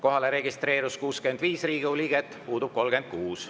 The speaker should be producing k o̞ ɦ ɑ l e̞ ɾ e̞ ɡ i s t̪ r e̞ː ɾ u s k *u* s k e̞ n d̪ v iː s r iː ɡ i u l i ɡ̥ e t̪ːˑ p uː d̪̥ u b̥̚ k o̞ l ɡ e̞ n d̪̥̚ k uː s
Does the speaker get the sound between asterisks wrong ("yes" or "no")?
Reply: yes